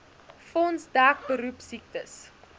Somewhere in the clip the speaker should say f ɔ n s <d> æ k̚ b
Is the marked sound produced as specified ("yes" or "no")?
yes